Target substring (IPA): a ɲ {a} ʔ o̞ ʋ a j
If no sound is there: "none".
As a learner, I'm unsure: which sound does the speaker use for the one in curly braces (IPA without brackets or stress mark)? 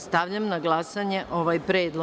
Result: e